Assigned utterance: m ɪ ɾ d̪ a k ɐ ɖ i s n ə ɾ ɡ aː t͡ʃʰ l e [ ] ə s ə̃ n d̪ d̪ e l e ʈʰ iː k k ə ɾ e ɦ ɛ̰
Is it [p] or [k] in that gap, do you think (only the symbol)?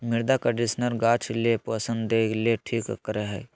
p